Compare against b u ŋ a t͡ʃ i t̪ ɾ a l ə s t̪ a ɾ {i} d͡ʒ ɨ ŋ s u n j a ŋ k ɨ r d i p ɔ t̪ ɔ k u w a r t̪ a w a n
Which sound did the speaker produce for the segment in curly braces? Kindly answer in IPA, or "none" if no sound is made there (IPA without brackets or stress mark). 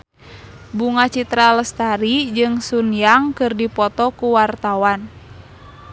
i